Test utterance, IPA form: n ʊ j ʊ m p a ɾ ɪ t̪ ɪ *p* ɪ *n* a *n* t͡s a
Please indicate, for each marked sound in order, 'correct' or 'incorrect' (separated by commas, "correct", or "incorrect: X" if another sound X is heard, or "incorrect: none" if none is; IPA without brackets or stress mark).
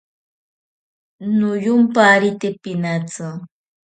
correct, correct, incorrect: none